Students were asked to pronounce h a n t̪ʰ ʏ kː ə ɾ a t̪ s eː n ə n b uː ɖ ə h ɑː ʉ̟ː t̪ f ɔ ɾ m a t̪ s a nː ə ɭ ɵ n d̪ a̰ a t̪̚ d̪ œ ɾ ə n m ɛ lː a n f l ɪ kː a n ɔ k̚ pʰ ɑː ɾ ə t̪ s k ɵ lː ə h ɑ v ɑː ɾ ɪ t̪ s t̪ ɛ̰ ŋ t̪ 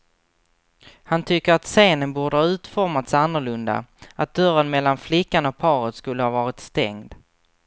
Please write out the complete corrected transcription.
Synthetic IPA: h a n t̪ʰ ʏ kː ə ɾ a t̪ s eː n ə n b uː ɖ ə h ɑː ʉ̟ː t̪ f ɔ ɾ m a t̪ s a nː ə ɭ ɵ n d̪ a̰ a t̪̚ d̪ œ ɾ ə n m ɛ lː a n f l ɪ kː a n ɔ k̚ pʰ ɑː ɾ ə t̪ s k ɵ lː ə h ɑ v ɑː ɾ ɪ t̪ s t̪ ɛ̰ ŋ d̪